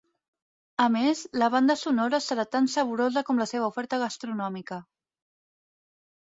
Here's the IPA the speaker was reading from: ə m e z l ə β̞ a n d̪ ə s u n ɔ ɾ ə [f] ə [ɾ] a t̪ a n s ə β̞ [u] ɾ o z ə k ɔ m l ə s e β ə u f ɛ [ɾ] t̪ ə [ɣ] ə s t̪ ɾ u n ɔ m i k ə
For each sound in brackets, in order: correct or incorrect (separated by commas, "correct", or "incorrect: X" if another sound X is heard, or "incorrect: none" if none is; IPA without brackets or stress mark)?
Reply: incorrect: s, correct, correct, correct, correct